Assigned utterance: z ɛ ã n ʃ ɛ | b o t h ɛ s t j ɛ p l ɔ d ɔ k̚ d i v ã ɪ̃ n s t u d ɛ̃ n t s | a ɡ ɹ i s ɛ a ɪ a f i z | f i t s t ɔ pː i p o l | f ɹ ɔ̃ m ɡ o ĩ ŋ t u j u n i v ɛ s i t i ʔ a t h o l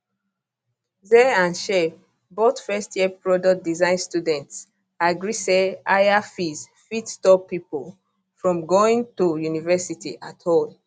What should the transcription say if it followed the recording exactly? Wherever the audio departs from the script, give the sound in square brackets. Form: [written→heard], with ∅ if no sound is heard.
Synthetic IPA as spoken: z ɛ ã n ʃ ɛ | b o t [h→f] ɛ s t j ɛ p [l→ɹ] ɔ d ɔ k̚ d i [v→z] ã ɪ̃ n s t u d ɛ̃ n t s | a ɡ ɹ i s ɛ a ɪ a f i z | f i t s t ɔ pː i p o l | f ɹ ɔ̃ m ɡ o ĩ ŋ t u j u n i v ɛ s i t i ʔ a t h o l